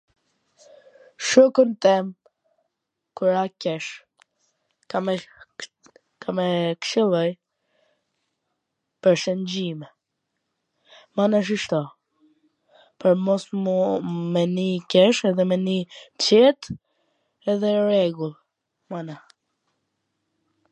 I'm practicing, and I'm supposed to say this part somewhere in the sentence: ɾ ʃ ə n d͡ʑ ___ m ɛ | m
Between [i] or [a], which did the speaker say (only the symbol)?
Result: i